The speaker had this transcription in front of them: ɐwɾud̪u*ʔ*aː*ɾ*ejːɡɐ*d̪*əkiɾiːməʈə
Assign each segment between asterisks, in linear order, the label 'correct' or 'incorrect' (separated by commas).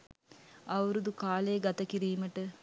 incorrect, incorrect, incorrect